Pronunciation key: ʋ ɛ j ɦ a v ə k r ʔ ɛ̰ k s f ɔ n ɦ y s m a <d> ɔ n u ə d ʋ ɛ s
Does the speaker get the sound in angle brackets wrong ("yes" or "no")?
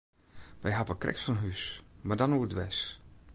no